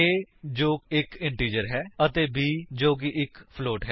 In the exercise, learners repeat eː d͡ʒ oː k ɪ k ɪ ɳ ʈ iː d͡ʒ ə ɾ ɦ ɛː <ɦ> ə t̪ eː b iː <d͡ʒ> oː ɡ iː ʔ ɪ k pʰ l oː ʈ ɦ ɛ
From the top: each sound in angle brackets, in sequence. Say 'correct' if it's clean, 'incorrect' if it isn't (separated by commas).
incorrect, correct